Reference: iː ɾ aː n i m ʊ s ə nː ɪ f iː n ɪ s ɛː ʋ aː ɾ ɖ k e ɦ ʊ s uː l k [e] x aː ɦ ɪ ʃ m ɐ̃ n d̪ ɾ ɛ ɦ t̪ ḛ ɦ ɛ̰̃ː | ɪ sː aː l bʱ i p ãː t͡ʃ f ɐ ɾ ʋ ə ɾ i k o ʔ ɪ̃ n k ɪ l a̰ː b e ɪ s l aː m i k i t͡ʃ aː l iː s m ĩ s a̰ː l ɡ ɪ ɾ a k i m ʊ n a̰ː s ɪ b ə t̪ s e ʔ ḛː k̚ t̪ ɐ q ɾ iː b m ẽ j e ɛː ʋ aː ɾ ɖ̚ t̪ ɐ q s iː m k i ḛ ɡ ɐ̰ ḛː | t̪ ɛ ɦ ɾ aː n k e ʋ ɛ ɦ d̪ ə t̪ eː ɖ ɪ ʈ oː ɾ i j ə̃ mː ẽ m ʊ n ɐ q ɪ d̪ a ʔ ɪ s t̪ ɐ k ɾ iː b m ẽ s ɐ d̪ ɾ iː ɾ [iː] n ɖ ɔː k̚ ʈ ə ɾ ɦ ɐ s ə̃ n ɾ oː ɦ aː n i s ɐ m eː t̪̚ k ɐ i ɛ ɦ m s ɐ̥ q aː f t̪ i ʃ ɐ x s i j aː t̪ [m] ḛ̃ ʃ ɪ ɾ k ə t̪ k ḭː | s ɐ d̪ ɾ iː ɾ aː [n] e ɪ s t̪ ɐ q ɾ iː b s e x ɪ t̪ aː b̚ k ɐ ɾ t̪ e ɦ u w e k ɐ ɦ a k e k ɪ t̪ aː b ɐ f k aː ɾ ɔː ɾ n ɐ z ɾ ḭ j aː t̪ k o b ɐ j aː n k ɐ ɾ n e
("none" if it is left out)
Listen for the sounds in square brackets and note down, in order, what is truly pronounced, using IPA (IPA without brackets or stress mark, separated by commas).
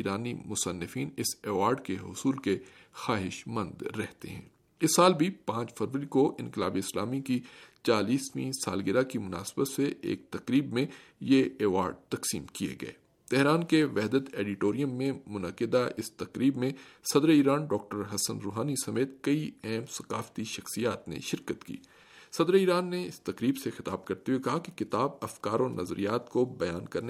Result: e, aː, n, nː